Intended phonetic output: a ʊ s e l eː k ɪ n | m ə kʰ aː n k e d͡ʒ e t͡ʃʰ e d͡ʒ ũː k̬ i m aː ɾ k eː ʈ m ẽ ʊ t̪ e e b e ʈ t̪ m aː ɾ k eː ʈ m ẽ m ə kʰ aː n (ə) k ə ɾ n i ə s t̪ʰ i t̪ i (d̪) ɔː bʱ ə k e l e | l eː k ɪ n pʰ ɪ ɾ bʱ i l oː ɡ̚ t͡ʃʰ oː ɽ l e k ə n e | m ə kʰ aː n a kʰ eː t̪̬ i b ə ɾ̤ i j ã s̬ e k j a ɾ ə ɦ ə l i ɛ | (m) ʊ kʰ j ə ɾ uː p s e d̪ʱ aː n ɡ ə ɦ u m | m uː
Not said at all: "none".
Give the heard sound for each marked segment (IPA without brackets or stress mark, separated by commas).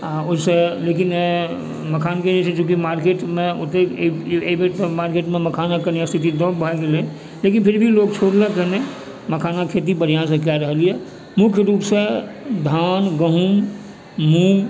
a, d̪, m